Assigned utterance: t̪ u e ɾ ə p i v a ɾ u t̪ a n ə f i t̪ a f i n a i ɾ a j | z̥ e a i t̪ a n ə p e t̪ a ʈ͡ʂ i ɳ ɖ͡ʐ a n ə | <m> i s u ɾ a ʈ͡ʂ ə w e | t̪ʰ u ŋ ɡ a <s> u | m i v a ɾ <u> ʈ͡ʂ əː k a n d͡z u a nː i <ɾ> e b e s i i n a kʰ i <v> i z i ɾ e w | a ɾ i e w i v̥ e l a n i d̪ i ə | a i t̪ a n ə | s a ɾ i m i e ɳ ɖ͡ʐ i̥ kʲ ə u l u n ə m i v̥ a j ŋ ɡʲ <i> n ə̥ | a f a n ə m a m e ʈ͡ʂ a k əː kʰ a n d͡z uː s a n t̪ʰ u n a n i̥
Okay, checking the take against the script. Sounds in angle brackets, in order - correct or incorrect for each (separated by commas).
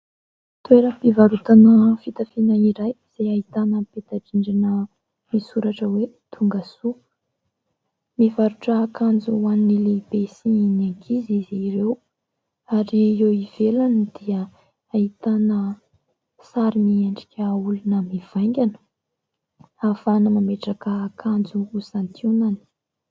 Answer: correct, correct, correct, incorrect, incorrect, incorrect